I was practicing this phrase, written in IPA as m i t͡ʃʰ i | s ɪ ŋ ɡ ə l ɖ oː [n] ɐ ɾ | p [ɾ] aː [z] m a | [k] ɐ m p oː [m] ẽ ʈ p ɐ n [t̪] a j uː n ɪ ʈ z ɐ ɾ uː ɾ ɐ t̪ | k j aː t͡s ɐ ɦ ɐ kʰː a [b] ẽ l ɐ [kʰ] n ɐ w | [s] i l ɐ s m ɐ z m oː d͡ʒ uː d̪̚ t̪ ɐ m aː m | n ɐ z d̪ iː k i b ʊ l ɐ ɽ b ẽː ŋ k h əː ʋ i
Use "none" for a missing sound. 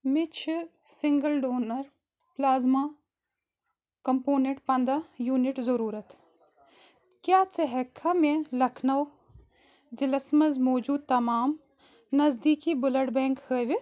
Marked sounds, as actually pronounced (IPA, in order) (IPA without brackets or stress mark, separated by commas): n, l, z, k, n, d̪, m, kʰ, z